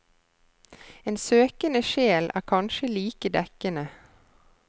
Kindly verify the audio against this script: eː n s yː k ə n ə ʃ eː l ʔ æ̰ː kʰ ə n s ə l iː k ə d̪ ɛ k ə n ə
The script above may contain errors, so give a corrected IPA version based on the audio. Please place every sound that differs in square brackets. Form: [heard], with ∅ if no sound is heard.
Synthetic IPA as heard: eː n s [øː] k ə n ə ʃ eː l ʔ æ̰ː kʰ [ɑ] n [ʃ] ə l iː k ə d̪ ɛ k ə n ə